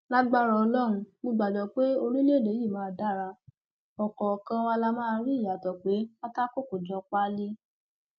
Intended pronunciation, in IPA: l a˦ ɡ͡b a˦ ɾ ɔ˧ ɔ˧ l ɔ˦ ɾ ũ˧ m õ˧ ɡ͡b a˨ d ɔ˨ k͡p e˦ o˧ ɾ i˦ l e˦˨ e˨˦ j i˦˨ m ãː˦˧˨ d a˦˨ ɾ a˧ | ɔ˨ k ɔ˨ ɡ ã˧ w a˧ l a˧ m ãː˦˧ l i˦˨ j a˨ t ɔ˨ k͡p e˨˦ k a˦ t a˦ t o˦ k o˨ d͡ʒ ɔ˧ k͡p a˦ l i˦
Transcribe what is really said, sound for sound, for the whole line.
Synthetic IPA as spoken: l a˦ ɡ͡b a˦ ɾ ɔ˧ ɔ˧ l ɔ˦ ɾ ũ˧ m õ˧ ɡ͡b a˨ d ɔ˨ k͡p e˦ o˧ ɾ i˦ l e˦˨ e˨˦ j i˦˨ m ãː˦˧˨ d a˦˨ ɾ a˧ | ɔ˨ k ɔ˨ k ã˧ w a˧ l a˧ m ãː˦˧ ɾ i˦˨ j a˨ t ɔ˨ k͡p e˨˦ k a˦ t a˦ k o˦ k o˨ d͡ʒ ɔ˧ k͡p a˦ l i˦